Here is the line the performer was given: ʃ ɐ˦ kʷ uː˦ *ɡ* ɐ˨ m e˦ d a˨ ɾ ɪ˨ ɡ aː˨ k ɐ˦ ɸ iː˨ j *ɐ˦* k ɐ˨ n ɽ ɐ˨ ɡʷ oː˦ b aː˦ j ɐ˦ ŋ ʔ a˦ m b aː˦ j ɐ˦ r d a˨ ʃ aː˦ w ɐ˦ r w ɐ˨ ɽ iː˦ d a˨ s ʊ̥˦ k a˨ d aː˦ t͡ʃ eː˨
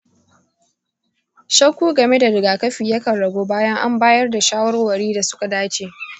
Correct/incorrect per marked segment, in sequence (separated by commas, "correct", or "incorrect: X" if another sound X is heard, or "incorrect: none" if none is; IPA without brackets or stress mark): correct, correct